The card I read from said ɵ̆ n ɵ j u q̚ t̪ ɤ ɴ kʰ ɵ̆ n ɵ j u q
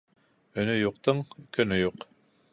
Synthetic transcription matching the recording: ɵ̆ n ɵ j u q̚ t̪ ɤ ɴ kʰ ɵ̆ n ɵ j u q